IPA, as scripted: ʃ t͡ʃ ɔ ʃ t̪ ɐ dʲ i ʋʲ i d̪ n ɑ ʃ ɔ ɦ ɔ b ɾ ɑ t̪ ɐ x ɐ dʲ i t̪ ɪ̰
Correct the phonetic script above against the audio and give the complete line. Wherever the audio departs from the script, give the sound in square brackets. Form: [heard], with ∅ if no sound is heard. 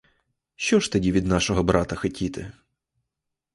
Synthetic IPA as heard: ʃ t͡ʃ ɔ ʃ t̪ ɐ dʲ i ʋʲ i d̪ n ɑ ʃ ɔ ɦ ɔ b ɾ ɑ t̪ ɐ x ɐ [tʲ] i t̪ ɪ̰